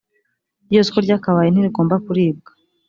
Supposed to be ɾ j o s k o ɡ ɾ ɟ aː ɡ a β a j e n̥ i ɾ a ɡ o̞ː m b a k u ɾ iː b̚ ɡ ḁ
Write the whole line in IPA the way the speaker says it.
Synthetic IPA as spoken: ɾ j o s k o ɾ ɟ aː k a β a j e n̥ i ɾ i ɡ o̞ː m b a k u ɾ iː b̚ ɡ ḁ